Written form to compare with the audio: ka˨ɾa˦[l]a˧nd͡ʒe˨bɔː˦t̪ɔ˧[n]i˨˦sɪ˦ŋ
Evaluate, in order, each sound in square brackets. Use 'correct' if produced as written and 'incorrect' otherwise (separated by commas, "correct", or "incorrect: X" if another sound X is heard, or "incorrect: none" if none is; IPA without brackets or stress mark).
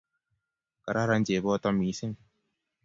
incorrect: ɾ, incorrect: m